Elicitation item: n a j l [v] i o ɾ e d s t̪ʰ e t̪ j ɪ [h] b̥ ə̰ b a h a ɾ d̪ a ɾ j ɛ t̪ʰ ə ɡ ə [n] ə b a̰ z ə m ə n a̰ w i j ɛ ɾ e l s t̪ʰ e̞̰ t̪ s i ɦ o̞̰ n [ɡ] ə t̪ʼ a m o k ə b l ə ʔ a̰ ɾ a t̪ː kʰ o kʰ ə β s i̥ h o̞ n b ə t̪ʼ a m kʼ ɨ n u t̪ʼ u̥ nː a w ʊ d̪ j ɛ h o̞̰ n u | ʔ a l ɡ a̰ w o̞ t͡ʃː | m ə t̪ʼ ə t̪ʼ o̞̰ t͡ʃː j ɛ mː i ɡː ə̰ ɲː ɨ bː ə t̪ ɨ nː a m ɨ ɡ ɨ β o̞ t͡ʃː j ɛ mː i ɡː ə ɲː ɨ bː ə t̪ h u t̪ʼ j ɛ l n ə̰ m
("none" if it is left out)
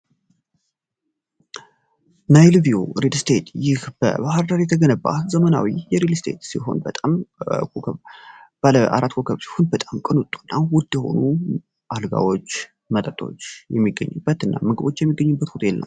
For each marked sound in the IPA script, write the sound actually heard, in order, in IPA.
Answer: v, h, n, b

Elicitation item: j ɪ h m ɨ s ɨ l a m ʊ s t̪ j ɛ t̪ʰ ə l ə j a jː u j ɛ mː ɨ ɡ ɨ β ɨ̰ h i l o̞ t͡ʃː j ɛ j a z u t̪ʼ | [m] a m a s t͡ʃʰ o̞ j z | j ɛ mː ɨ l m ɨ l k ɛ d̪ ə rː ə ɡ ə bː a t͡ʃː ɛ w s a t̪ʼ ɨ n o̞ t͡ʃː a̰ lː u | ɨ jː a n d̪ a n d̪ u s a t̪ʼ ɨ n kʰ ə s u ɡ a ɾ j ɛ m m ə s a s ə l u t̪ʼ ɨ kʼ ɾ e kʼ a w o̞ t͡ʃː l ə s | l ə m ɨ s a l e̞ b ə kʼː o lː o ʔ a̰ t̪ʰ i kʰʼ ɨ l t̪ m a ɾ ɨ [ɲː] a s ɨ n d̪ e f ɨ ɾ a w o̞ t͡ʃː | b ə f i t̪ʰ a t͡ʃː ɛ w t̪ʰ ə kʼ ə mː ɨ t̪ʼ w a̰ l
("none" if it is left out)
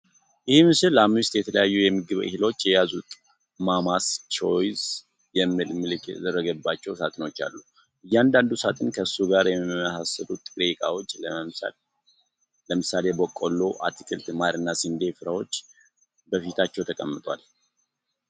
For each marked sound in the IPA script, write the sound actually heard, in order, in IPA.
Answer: m, nː

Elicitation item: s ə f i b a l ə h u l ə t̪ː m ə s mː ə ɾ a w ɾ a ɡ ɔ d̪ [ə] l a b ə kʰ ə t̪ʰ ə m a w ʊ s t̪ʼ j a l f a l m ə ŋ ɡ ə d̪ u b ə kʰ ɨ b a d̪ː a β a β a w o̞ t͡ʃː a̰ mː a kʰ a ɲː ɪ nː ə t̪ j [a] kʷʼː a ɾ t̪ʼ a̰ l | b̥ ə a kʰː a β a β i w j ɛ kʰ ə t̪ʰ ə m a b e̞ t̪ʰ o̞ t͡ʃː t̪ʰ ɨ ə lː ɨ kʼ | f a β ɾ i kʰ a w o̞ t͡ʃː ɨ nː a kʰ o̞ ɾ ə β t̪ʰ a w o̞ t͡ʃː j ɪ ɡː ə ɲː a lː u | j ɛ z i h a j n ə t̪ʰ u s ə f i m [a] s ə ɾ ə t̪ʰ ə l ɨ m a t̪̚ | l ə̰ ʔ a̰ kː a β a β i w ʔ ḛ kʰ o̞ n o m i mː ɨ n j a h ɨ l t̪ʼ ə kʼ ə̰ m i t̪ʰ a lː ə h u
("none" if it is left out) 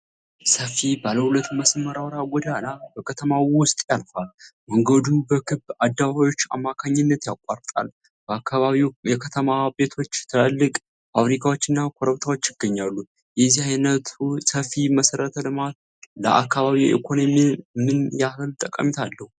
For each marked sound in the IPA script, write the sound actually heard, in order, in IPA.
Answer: a, a, ə

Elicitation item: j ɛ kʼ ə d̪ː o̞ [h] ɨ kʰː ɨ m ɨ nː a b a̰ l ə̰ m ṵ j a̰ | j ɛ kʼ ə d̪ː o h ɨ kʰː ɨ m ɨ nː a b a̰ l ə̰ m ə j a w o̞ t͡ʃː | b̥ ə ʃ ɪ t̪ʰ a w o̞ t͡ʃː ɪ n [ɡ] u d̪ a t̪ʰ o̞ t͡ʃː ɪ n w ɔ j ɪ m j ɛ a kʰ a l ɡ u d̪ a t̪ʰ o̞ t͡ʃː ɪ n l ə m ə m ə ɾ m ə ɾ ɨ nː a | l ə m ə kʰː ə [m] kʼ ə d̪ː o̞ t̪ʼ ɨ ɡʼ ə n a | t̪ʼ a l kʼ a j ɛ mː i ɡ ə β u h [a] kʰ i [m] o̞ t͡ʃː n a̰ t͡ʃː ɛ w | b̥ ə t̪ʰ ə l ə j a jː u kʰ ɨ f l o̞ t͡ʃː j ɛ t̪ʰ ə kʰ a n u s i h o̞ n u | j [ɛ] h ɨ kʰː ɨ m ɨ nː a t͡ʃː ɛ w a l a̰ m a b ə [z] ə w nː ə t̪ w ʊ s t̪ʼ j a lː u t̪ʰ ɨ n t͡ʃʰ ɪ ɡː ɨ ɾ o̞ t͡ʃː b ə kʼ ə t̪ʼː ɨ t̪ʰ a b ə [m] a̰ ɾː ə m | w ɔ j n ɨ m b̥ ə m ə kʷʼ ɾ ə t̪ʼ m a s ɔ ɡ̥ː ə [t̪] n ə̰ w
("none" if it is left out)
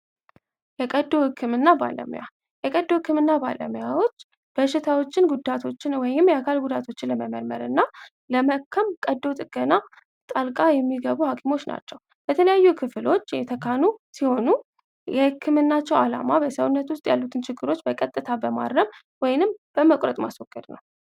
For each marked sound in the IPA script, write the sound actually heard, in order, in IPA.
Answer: h, ɡ, m, a, m, ɛ, s, m, d̪

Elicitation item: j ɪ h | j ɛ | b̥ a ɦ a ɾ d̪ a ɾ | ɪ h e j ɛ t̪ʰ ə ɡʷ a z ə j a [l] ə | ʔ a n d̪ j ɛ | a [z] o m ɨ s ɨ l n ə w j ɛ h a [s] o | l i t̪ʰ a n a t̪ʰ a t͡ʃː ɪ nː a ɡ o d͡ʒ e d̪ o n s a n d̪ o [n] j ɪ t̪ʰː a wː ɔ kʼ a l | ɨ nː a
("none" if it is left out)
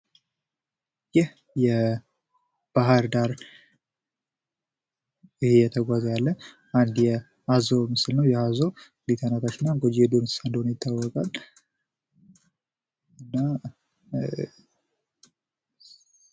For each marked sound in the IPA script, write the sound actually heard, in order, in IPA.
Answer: lː, z, z, n

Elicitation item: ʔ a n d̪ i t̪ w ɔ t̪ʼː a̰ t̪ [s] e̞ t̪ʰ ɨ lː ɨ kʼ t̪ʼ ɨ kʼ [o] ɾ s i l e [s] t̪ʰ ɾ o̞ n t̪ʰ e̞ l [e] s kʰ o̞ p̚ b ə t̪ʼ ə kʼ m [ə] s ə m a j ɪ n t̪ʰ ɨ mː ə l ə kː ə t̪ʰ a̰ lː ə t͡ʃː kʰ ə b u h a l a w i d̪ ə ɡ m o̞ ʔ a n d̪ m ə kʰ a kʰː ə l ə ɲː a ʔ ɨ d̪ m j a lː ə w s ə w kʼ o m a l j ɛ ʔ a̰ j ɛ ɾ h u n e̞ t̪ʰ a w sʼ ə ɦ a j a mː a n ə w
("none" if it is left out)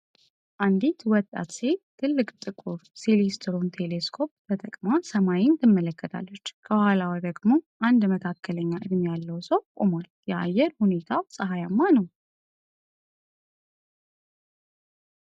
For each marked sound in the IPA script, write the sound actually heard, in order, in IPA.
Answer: s, u, s, e, a

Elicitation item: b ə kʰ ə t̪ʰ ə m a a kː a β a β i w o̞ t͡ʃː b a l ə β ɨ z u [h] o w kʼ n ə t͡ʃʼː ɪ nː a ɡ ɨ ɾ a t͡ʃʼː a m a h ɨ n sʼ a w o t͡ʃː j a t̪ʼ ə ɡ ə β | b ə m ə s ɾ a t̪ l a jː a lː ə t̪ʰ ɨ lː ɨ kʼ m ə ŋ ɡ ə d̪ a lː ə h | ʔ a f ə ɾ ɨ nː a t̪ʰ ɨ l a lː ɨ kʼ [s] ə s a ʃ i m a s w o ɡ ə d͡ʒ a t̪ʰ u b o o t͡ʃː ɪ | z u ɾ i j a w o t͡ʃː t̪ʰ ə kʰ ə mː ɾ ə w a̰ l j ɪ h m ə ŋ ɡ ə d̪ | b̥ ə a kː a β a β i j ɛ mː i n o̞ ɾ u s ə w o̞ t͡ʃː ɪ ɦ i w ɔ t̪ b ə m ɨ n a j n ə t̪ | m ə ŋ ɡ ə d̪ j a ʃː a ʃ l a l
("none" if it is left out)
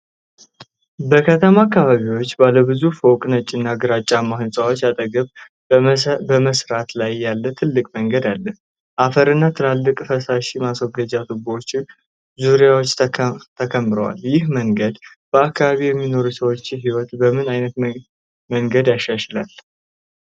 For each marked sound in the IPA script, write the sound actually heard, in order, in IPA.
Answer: f, f

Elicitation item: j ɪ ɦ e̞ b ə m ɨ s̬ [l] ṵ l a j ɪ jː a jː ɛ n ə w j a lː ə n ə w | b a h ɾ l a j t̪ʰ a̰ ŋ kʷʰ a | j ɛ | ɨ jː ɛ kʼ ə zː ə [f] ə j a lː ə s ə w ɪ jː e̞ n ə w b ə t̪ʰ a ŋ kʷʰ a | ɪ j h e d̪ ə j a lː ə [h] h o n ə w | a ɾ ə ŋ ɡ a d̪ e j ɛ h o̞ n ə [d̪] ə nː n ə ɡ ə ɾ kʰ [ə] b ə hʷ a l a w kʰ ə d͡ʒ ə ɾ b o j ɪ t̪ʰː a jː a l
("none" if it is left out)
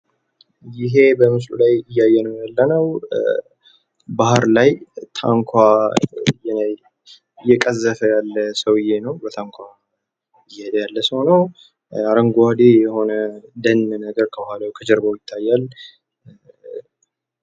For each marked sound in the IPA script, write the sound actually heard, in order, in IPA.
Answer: l, f, s, d̪, ə

